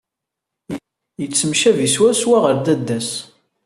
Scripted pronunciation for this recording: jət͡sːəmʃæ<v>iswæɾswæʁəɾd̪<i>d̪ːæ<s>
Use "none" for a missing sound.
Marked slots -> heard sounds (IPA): v, æ, s

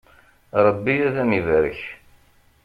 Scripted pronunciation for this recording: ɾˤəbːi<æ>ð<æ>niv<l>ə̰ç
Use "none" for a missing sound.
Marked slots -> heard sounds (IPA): æ, æ, ɾ

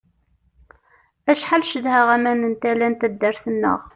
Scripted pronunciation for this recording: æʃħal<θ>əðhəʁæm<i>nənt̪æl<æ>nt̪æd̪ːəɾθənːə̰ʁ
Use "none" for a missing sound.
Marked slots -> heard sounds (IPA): ʃ, æ, æ

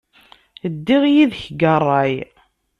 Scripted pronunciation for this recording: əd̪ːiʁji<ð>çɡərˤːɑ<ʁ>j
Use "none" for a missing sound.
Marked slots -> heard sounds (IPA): ð, none

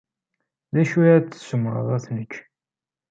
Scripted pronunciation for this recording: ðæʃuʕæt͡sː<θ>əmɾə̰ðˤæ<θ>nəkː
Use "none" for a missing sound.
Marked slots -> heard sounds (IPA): s, θ

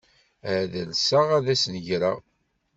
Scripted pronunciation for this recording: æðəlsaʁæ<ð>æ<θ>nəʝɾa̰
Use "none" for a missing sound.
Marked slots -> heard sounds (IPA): ð, s

